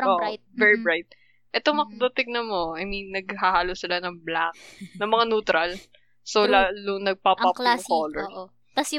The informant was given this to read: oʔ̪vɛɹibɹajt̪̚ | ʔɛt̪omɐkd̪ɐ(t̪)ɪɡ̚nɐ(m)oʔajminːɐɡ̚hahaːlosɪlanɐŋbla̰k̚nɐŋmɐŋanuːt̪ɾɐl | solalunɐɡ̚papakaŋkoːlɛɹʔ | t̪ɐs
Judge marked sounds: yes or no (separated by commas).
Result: yes, yes